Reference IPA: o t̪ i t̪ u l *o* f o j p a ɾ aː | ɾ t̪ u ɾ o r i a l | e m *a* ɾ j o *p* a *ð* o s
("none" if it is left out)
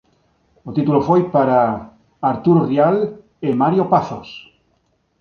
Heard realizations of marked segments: o, a, p, θ

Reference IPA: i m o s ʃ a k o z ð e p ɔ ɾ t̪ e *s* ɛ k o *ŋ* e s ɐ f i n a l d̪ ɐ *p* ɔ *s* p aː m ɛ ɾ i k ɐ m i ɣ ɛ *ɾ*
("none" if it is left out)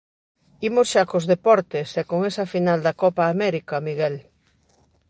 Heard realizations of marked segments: s, ŋ, k, none, l

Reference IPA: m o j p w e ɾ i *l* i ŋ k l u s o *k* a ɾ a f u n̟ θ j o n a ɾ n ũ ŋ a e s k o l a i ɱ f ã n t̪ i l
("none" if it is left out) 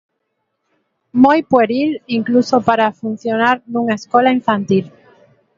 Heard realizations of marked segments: l, p

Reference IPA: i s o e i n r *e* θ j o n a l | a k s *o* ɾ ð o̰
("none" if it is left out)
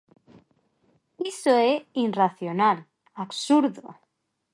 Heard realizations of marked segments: a, u

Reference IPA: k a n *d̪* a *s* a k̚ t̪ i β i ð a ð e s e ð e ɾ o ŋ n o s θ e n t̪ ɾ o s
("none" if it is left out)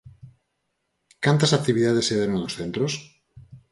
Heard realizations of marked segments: t̪, s

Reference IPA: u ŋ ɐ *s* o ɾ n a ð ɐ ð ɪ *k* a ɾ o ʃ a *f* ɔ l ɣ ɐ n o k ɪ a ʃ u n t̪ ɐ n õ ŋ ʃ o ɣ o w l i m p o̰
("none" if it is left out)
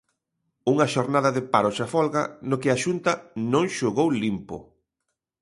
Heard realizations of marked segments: ʃ, p, f

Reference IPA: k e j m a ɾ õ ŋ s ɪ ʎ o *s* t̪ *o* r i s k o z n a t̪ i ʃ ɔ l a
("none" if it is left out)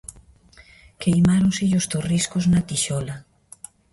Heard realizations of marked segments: s, o

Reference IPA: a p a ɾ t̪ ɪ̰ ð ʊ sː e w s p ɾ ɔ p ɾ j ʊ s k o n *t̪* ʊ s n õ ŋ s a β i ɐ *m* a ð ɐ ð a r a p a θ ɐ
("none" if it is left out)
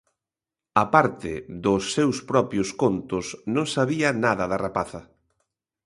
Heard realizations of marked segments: t̪, n

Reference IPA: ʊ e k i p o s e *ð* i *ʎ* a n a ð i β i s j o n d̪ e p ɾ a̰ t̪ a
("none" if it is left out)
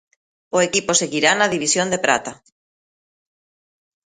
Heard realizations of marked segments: ɣ, ɾ

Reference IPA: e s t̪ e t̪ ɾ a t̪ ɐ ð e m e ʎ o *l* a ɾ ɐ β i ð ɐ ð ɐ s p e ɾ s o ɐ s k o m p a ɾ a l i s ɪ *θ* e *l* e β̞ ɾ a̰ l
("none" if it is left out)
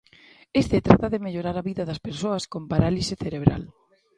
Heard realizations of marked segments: ɾ, θ, ɾ

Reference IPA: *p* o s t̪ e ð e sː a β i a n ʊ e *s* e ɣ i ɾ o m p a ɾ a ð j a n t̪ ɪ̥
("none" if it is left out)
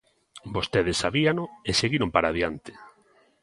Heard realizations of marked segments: b, s

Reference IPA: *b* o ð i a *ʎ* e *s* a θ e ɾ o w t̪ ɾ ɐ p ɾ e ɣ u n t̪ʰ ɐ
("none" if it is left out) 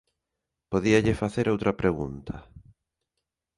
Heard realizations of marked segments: p, ʎ, f

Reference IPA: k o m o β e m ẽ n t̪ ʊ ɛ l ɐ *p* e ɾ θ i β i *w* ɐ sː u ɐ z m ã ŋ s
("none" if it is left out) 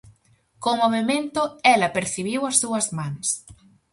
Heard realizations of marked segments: p, w

